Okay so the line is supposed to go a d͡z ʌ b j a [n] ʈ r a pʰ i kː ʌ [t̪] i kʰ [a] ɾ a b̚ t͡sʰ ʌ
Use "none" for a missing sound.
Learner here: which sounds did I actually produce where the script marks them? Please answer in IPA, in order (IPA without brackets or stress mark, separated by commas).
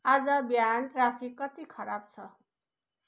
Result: n, t̪, ʌ